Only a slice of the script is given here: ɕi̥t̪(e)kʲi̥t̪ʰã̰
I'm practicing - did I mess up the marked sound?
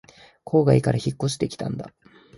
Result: no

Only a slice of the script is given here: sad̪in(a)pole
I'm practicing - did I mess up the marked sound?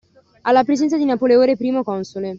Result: no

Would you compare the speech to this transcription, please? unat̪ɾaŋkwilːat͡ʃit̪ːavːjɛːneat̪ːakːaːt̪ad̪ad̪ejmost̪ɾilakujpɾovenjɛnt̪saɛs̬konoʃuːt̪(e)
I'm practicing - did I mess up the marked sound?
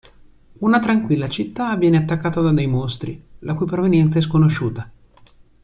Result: yes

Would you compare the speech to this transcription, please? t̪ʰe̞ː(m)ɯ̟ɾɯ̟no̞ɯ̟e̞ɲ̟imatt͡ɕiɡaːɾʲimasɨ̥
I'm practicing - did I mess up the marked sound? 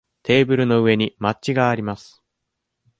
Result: yes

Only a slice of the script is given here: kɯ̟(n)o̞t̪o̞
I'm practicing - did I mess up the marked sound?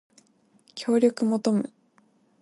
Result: yes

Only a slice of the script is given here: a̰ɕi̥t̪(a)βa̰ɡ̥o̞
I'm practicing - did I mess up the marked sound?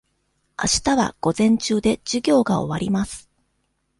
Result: no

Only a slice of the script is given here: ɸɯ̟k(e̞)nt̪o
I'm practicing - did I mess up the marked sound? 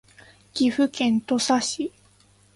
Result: yes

